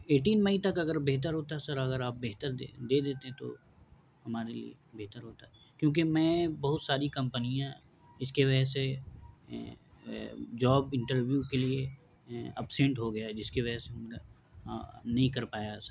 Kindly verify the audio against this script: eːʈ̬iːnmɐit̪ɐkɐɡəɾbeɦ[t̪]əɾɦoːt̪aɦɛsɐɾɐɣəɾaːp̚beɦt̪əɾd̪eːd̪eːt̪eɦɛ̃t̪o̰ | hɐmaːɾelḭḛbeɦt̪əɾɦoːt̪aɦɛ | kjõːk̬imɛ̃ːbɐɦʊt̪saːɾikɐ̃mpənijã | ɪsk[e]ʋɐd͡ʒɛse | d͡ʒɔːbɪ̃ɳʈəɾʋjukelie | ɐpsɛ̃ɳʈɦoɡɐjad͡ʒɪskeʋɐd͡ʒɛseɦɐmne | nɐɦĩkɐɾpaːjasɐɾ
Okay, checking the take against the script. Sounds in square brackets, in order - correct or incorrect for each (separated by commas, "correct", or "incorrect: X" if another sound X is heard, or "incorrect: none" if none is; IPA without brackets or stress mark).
correct, correct